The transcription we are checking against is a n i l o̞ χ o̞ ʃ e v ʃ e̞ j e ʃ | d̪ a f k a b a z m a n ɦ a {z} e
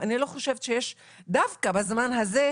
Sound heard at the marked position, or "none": z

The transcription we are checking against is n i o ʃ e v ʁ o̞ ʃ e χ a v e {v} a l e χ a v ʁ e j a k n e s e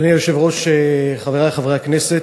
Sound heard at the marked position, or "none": ʁ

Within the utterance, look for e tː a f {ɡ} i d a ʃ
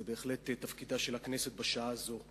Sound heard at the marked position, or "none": k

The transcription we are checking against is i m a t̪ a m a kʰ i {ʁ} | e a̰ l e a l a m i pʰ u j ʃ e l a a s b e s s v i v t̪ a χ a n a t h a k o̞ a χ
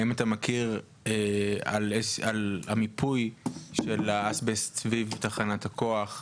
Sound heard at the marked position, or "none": ʁ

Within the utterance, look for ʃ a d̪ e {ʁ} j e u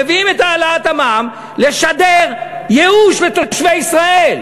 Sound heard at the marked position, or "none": ʁ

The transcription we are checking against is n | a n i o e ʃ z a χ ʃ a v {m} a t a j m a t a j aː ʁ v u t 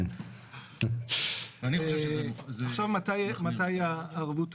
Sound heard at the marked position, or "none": m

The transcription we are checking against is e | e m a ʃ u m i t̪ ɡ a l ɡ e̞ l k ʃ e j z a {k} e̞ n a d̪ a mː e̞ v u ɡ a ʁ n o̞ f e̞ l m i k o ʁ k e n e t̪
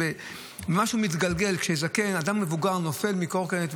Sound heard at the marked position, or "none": k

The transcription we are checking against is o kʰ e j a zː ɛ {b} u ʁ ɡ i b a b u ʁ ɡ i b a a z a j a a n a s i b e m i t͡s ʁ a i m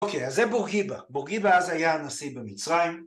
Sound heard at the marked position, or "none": b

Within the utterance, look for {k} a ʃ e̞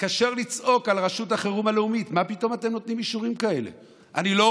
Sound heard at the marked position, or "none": k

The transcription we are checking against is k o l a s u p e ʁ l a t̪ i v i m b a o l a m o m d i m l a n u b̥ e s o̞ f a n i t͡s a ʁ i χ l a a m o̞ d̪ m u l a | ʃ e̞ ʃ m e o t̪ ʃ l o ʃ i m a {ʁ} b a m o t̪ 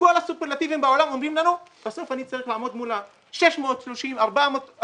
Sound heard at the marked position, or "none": ʁ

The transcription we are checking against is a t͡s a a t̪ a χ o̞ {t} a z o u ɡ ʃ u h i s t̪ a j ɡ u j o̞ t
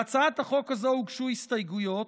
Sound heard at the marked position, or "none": k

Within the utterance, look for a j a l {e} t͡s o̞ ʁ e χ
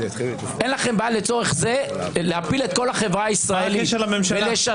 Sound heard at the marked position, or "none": e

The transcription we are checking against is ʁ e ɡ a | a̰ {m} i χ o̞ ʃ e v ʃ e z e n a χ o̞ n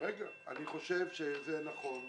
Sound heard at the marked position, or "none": n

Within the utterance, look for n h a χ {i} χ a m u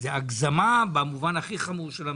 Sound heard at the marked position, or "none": i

